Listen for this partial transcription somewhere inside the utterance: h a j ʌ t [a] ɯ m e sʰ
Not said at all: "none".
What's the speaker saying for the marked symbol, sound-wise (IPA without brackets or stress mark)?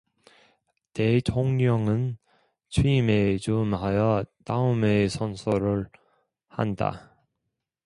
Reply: a